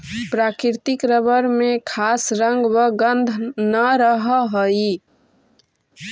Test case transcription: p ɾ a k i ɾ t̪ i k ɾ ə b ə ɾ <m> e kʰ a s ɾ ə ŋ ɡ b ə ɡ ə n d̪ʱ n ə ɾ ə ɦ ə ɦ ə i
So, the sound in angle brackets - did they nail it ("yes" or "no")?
yes